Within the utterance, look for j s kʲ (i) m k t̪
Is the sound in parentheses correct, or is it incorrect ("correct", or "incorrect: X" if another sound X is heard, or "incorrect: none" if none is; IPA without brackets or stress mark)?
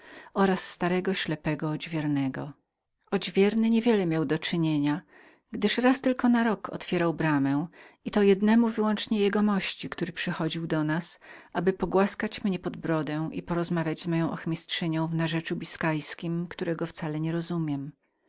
correct